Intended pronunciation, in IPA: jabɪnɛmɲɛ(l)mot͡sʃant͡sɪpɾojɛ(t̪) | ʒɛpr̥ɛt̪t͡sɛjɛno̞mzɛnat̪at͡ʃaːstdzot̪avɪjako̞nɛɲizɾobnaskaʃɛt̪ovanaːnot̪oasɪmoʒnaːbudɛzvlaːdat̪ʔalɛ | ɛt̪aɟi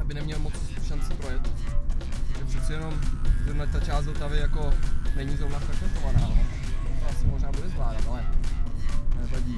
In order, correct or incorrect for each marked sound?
correct, correct

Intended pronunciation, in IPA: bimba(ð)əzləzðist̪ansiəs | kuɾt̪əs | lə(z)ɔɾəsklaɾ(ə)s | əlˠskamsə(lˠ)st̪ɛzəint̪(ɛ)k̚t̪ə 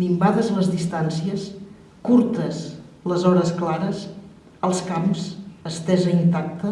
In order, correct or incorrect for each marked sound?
correct, correct, correct, incorrect, incorrect

